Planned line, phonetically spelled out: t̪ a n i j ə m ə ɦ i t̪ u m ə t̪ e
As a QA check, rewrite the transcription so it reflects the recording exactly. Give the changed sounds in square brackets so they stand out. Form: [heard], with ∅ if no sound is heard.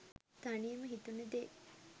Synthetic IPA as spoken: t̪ a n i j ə m ə ɦ i t̪ u [n] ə [d̪] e